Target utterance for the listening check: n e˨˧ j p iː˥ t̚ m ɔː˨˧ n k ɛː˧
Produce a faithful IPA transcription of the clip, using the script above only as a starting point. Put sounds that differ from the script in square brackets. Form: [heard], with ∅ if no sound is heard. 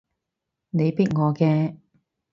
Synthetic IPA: n e˨˧ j p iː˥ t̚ [ŋ] ɔː˨˧ [∅] k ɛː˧